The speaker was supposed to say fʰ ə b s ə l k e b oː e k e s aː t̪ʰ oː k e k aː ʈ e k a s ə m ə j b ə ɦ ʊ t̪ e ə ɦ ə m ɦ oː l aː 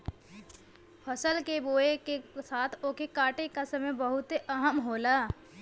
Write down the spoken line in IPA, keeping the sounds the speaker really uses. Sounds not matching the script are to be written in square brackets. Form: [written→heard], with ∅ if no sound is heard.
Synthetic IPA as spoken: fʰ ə [b→∅] s ə l k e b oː e k e s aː t̪ʰ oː k e k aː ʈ e k a s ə m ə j b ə ɦ ʊ t̪ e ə ɦ ə m ɦ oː l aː